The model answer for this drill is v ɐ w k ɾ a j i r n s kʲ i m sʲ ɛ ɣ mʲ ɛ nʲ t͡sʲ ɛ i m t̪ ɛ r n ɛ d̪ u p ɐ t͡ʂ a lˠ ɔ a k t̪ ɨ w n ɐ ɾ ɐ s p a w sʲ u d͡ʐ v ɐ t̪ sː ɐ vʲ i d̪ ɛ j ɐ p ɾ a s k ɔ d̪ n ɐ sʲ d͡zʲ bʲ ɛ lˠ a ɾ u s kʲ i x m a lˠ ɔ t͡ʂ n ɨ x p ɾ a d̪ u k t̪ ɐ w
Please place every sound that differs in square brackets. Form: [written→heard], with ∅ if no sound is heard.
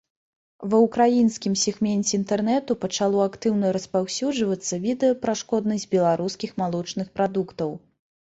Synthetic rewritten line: v ɐ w k ɾ a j i [r→∅] n s kʲ i m sʲ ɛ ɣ mʲ ɛ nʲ t͡sʲ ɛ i [m→n] t̪ ɛ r n ɛ [d̪→t̪] u p ɐ t͡ʂ a lˠ ɔ a k t̪ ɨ w n ɐ ɾ ɐ s p a w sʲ u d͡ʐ v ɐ t̪ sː ɐ vʲ i d̪ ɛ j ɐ p ɾ a [s→ʂ] k ɔ d̪ n ɐ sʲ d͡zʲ bʲ ɛ lˠ a ɾ u s kʲ i x m a lˠ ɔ t͡ʂ n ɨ x p ɾ a d̪ u k t̪ ɐ w